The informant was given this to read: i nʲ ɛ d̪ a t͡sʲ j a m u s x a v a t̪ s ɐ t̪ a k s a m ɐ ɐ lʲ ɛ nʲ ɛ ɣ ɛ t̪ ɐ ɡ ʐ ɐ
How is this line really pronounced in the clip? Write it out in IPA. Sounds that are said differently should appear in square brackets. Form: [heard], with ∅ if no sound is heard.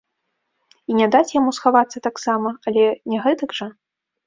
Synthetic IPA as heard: i nʲ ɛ d̪ a t͡sʲ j a m u s x a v a t̪ [sː] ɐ t̪ a k s a m ɐ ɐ lʲ ɛ nʲ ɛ ɣ ɛ t̪ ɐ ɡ ʐ ɐ